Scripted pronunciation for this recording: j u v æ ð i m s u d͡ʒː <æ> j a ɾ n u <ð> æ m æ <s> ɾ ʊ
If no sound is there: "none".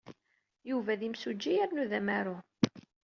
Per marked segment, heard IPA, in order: i, ð, none

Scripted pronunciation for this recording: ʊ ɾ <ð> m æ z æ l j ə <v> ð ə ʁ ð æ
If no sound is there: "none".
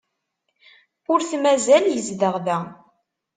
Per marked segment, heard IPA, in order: θ, z

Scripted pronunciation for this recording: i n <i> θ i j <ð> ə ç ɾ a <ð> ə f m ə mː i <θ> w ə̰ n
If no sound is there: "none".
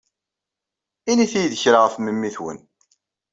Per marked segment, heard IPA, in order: i, ð, ʁ, θ

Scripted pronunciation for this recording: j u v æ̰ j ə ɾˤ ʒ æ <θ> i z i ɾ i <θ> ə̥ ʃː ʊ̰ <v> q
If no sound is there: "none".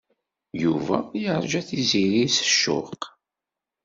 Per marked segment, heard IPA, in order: θ, s, none

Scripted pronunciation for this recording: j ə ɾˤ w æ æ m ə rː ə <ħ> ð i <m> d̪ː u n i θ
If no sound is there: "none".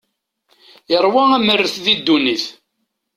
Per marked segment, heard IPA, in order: θ, none

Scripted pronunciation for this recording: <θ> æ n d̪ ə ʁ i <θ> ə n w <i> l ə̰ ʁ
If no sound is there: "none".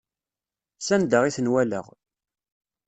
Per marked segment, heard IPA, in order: s, θ, æ

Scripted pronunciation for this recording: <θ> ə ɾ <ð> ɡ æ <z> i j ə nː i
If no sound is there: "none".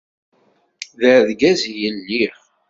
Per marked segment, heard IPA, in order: ð, ð, z

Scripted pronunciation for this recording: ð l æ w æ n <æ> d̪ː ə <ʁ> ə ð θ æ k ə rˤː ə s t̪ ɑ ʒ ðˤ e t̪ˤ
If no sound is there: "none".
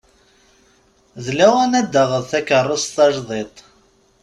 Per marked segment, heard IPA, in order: æ, ʁ

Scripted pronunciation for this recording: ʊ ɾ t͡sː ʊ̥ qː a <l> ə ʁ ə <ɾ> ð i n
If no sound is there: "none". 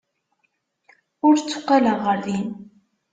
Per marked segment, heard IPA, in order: l, ɾ

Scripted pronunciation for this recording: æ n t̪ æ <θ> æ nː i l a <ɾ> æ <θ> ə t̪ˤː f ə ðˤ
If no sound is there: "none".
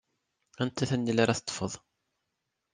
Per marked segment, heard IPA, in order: θ, ɾ, θ

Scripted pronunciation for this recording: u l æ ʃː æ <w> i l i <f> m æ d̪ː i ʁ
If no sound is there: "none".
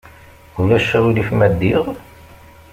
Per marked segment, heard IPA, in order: w, f

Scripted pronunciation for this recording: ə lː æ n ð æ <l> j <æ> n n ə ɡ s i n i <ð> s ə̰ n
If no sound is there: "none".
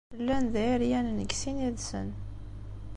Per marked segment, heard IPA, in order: ɾ, æ, ð

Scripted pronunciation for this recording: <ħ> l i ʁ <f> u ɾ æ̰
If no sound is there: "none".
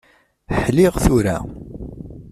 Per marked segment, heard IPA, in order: ħ, θ

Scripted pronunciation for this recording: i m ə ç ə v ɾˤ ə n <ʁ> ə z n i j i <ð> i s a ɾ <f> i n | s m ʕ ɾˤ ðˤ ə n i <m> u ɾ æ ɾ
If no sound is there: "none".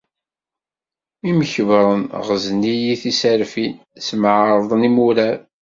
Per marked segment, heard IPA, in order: ʁ, θ, f, m

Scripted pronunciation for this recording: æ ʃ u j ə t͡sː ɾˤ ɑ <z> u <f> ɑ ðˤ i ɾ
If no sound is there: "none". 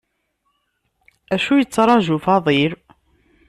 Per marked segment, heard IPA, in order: ʒ, f

